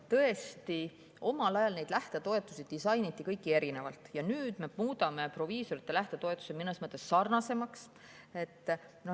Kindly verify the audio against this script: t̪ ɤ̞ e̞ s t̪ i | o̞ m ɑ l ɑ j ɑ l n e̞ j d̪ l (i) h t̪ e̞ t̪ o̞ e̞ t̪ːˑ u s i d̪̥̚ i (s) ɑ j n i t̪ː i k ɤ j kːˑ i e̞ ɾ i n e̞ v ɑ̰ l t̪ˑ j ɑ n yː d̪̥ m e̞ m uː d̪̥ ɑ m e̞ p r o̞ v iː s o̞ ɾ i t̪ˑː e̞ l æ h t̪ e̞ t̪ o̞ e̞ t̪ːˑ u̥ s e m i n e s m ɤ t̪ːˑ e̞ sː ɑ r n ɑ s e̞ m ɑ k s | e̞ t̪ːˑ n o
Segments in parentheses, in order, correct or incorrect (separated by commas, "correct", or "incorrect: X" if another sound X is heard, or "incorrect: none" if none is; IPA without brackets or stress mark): incorrect: æ, correct